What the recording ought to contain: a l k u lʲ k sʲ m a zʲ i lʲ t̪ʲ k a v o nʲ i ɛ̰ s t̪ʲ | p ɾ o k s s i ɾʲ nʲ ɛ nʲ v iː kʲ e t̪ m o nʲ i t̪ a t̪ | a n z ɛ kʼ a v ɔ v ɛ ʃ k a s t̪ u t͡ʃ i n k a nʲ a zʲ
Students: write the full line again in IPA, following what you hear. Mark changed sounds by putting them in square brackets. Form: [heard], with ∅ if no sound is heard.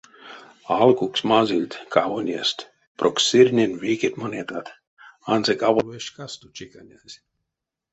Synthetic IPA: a l k u [∅] k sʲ m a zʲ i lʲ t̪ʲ k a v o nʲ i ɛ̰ s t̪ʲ | p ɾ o k s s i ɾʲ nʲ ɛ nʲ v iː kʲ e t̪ m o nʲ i t̪ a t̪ | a n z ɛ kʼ a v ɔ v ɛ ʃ k a s t̪ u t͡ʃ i [∅] k a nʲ a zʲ